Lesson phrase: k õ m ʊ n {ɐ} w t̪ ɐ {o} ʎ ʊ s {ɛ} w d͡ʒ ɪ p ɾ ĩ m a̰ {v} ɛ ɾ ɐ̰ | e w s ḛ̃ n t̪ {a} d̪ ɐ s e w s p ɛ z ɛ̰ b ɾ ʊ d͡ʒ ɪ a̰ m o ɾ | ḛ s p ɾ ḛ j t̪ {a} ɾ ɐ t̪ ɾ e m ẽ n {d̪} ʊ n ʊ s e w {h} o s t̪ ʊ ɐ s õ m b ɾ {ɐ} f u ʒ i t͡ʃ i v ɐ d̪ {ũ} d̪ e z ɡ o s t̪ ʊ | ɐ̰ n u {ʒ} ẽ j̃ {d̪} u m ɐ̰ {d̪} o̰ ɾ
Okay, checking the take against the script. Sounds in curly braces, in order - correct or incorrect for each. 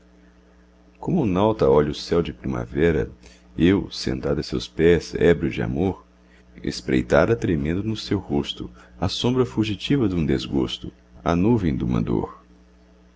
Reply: incorrect: a, incorrect: ɔ, correct, correct, correct, correct, correct, correct, correct, correct, incorrect: v, correct, correct

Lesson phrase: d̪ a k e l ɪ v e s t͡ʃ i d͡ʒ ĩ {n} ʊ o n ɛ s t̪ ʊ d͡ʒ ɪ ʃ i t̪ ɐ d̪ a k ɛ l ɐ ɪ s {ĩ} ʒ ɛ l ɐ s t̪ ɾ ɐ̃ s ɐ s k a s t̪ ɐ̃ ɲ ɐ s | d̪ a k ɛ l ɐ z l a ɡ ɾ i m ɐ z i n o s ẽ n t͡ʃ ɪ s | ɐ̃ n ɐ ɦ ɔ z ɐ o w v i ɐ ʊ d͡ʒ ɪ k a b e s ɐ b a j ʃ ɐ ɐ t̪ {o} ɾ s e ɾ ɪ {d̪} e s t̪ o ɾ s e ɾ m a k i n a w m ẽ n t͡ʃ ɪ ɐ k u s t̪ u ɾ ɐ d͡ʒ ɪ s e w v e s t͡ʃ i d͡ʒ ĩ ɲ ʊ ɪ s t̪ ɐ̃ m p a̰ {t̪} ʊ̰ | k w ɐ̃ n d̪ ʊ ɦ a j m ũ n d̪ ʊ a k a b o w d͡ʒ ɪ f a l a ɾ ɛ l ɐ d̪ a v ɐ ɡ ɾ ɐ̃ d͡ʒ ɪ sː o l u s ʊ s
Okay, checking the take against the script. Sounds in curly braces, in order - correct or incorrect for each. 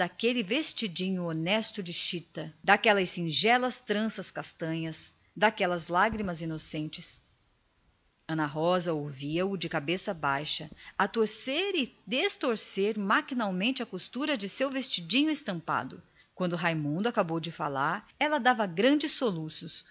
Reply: incorrect: ɲ, correct, correct, correct, incorrect: d̪

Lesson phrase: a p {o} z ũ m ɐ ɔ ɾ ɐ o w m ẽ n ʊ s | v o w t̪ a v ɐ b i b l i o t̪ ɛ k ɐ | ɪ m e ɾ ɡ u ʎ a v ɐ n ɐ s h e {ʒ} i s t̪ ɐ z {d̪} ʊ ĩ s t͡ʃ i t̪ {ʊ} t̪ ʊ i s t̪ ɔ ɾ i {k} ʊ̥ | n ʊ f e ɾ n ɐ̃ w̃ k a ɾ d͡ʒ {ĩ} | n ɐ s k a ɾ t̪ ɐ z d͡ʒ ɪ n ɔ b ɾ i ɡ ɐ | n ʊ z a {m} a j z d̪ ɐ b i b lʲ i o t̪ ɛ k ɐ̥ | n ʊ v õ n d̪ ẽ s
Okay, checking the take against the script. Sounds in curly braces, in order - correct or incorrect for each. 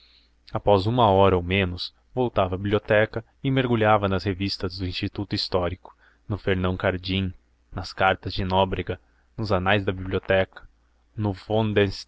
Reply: incorrect: ɔ, incorrect: v, correct, incorrect: u, correct, correct, incorrect: n

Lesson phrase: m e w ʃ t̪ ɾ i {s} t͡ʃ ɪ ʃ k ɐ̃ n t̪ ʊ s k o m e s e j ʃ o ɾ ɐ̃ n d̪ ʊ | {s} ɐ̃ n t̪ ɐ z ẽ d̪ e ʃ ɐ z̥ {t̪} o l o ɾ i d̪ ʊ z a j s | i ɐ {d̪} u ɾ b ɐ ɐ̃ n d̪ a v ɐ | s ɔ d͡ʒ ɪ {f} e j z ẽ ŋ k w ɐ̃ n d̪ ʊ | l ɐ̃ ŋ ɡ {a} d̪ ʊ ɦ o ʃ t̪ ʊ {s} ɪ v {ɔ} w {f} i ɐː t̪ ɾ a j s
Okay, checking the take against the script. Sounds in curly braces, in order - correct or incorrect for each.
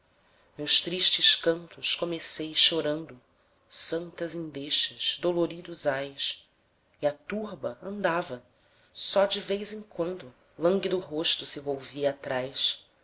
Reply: incorrect: ʃ, correct, incorrect: d̪, incorrect: t̪, incorrect: v, incorrect: i, correct, incorrect: o, incorrect: v

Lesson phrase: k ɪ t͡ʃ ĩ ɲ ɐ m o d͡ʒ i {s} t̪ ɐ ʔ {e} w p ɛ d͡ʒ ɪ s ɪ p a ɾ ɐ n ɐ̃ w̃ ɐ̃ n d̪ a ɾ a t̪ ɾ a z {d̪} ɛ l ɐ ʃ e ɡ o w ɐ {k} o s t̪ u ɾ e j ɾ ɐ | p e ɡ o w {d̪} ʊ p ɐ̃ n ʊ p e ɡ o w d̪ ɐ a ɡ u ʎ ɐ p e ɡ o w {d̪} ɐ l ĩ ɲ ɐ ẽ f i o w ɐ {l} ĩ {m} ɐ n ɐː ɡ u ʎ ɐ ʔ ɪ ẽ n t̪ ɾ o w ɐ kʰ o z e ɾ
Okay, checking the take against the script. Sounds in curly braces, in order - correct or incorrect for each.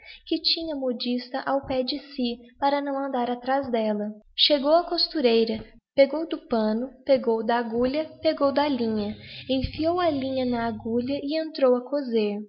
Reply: correct, incorrect: a, correct, correct, correct, correct, correct, incorrect: ɲ

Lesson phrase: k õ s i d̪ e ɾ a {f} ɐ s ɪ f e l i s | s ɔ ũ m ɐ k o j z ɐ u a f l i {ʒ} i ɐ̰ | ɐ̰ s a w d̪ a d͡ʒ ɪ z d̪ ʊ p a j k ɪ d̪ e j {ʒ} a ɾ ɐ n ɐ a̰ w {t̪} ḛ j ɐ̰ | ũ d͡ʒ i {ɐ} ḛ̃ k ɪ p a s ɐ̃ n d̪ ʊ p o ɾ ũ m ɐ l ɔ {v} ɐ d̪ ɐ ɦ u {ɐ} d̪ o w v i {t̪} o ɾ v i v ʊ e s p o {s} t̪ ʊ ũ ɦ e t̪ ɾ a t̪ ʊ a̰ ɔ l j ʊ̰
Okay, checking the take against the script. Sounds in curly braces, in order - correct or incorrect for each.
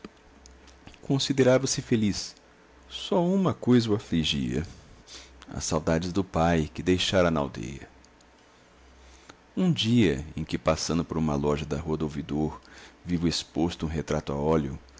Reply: incorrect: v, correct, incorrect: ʃ, incorrect: d̪, correct, incorrect: ʒ, correct, incorrect: d̪, correct

